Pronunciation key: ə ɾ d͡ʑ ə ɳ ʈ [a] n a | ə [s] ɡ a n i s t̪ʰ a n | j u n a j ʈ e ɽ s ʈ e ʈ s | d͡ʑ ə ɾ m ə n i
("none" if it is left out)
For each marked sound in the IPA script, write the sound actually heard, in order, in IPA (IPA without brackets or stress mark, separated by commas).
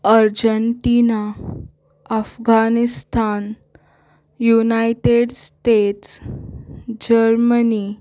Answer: i, f